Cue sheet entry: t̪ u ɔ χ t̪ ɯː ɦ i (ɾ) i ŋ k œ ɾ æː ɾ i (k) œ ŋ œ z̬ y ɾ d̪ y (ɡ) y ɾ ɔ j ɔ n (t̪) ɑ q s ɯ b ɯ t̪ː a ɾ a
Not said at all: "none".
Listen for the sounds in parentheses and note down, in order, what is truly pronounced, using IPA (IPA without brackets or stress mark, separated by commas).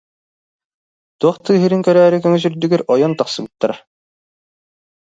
ɾ, k, ɡ, t̪